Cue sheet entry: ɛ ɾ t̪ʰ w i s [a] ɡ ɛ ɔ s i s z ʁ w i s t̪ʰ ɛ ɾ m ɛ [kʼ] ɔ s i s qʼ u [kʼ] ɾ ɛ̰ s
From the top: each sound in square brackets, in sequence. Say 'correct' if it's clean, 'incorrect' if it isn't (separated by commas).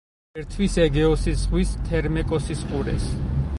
incorrect, correct, incorrect